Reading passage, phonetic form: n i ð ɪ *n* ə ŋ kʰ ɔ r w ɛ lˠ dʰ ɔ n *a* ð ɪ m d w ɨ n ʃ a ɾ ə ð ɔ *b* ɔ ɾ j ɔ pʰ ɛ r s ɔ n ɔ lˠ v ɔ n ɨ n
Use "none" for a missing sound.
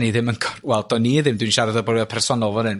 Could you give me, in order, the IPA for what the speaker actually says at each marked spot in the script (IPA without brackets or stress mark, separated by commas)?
m, i, b